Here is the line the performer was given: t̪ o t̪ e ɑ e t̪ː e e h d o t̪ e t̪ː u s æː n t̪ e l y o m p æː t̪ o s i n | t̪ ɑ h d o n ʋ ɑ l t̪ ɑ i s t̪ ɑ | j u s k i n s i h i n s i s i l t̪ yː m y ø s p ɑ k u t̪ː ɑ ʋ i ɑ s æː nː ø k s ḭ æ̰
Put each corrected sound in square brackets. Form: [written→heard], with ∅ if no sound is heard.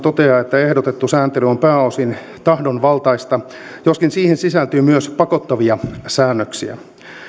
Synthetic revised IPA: t̪ o t̪ e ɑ e t̪ː [e→æ] e h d o t̪ e t̪ː u s æː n t̪ e l y o m p æː [t̪→∅] o s i n | t̪ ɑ h d o n ʋ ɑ l t̪ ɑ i s t̪ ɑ | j [u→o] s k i n s [i→iː] h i n s i s [i→æ] l t̪ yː m y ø s p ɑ k [u→o] t̪ː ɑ ʋ i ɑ s æː nː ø k s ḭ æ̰